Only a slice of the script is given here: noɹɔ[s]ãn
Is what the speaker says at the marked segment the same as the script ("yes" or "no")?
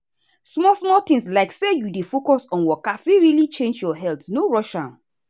no